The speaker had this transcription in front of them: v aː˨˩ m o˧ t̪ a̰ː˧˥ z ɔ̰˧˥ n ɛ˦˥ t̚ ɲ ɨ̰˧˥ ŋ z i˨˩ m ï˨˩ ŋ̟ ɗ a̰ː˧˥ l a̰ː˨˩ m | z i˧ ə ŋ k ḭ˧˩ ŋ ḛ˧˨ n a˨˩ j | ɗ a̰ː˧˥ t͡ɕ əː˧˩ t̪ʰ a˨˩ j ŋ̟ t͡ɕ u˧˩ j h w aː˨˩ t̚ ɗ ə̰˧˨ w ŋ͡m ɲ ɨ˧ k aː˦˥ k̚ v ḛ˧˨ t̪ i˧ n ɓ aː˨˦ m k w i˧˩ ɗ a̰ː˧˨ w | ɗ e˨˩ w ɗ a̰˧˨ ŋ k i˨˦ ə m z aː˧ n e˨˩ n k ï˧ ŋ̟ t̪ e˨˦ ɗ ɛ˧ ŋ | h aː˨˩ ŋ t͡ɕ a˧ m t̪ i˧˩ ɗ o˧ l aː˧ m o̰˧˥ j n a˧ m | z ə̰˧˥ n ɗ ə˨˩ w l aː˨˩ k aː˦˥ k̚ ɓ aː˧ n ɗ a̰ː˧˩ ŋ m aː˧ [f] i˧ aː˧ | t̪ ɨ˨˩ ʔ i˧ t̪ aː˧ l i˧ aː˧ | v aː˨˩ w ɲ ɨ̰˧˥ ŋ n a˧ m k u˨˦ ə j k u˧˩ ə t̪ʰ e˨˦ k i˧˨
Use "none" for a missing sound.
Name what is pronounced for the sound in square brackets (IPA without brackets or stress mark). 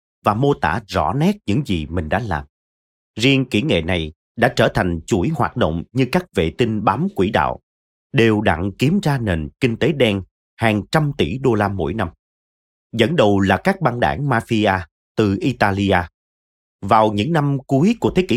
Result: f